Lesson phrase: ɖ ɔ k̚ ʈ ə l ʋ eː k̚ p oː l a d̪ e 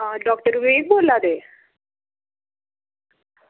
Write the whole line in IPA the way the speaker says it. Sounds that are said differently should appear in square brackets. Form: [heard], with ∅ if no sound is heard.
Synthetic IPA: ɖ ɔ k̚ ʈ ə [ɾ] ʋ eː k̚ [b] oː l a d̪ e